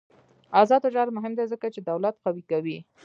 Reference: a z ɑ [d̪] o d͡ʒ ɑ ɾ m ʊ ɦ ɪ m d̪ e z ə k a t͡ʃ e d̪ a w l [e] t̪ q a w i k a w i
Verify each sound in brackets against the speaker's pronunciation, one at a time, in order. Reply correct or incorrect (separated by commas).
correct, incorrect